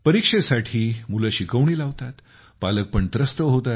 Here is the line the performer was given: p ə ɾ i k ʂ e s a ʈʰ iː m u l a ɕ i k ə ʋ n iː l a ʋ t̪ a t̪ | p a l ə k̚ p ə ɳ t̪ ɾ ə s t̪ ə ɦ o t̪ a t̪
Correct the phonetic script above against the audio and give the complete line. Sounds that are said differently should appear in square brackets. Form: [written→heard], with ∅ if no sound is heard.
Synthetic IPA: p ə ɾ i k ʂ e s a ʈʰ iː m u l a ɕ i k ə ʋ [n→ɳ] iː l a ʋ t̪ a t̪ | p a l ə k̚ p ə ɳ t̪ ɾ ə s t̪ ə ɦ o t̪ a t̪